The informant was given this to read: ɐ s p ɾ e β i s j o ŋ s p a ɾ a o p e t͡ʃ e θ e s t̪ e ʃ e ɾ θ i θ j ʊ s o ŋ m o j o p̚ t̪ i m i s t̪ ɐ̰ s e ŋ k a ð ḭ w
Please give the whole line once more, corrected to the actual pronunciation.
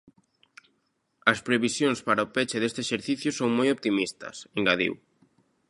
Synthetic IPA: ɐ s p ɾ e β i s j o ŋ s p a ɾ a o p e t͡ʃ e ð e s t̪ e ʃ e ɾ θ i θ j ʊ s o ŋ m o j o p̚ t̪ i m i s t̪ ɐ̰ s e ŋ ɡ a ð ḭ w